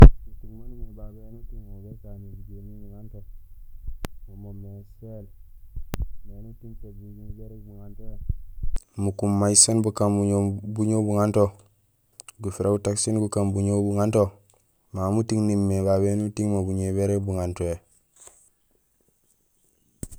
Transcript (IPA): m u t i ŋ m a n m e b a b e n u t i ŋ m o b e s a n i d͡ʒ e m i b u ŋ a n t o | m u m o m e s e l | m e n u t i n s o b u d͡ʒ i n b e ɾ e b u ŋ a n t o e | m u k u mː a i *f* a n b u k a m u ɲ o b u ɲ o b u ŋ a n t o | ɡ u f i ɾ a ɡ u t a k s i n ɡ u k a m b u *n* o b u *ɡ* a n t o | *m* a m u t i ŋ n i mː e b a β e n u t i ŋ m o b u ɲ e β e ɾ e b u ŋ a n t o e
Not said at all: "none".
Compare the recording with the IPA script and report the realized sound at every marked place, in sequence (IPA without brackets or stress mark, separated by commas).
s, ɲ, ŋ, m